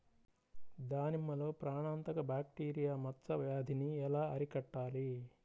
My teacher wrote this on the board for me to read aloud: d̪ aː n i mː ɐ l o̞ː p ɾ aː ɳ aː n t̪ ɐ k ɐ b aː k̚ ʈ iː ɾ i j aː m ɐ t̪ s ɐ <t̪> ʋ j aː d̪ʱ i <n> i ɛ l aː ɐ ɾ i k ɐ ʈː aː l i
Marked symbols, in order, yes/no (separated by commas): no, yes